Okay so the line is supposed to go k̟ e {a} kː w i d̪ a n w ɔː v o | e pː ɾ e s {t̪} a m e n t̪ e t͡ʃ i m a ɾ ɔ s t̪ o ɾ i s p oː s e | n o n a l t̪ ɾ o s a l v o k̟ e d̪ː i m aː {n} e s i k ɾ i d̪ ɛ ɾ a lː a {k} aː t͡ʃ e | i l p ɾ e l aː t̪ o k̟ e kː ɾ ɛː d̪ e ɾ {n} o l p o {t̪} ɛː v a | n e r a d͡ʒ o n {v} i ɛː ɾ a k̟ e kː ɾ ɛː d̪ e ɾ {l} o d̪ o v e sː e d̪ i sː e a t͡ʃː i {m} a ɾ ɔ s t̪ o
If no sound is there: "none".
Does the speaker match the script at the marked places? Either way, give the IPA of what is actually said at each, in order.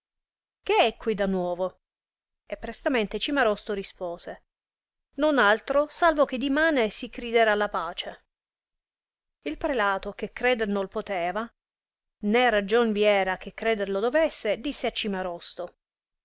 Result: ɛ, t̪, n, p, n, t̪, v, l, m

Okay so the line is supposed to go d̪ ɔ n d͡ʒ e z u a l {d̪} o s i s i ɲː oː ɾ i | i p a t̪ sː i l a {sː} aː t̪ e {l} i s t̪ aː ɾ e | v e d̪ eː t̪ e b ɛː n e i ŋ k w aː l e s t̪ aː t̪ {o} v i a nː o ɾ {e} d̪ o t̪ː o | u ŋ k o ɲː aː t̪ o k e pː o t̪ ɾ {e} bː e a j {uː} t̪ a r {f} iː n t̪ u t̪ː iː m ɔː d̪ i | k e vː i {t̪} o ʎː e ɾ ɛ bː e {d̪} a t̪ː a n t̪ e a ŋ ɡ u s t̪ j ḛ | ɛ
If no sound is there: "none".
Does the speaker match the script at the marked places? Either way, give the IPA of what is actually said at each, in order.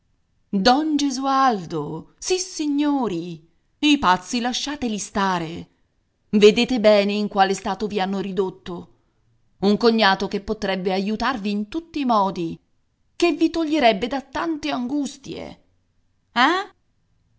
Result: d̪, ʃː, l, o, i, ɛ, u, v, t̪, d̪

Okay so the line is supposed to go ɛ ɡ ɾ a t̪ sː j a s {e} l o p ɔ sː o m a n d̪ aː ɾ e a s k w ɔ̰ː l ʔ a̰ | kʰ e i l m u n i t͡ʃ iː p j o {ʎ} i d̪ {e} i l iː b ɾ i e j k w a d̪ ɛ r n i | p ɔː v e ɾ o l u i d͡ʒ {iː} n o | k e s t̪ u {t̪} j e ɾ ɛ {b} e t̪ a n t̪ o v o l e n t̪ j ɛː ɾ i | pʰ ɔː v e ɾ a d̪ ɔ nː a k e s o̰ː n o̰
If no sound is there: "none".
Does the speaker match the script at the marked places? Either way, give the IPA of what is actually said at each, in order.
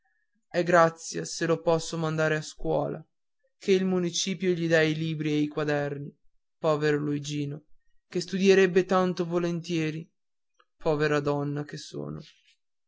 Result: e, ʎ, a, iː, d̪, bː

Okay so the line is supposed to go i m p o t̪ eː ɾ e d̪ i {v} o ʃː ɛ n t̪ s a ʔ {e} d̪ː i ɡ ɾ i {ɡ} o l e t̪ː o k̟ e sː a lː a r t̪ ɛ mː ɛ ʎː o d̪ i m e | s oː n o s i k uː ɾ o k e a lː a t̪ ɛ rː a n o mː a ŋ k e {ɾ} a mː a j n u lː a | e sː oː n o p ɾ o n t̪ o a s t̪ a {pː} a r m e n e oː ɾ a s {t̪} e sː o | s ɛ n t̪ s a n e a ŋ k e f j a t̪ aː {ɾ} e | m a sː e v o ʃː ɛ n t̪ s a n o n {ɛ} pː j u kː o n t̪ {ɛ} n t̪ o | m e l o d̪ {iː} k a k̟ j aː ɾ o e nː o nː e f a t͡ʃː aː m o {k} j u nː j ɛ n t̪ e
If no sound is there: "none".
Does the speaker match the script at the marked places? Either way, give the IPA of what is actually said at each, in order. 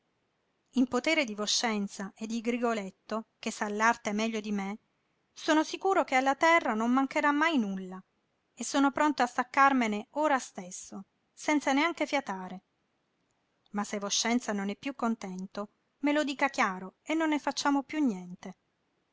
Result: v, e, ɡ, ɾ, kː, t̪, ɾ, ɛ, ɛ, iː, p

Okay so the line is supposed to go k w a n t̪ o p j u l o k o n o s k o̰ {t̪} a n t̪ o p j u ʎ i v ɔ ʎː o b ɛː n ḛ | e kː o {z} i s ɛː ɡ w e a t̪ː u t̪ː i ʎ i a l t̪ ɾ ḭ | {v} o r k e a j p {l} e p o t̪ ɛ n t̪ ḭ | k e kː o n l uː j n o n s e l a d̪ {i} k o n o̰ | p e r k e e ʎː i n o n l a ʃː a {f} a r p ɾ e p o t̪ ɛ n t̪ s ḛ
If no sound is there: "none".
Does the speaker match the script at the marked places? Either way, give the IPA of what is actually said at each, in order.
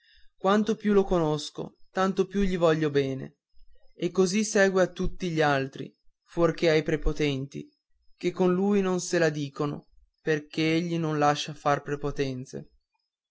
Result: t̪, z, f, ɾ, iː, f

